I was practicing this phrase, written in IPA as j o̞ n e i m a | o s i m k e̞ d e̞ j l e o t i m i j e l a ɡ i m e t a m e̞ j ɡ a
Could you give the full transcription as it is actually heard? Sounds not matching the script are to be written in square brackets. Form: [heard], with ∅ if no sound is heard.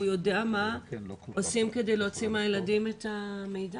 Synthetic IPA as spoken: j o̞ [d] e [a] m a | o s i m k e̞ d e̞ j l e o [t͡s] i m [a] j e l a [d] i m e t a m e̞ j [d] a